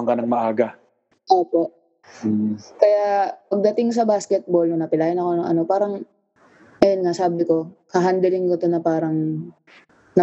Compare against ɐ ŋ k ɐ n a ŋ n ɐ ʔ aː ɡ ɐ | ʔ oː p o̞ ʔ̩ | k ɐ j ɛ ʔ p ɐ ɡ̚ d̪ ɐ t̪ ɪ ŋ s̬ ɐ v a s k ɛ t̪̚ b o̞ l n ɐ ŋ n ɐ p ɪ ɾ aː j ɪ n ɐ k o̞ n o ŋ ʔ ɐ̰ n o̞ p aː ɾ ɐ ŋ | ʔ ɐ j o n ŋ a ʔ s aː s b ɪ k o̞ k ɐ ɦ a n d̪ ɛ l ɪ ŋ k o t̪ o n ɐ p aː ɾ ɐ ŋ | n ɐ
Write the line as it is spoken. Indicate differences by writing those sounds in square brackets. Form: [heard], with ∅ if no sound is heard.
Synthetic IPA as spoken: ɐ ŋ k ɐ n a ŋ [m] ɐ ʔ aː ɡ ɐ | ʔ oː p o̞ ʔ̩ | k ɐ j [a] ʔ p ɐ ɡ̚ d̪ ɐ t̪ ɪ ŋ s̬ ɐ [b] a s k ɛ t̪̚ b o̞ l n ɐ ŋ n ɐ p ɪ [l] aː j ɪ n ɐ k o̞ n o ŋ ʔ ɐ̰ n o̞ p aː ɾ ɐ ŋ | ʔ ɐ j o n ŋ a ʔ s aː [∅] b ɪ k o̞ k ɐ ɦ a n d̪ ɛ l ɪ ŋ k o t̪ o n ɐ p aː ɾ ɐ ŋ | n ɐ